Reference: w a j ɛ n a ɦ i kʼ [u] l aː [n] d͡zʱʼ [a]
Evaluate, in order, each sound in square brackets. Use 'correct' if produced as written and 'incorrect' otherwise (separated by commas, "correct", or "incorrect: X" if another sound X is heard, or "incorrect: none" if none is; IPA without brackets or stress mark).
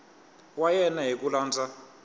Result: correct, correct, correct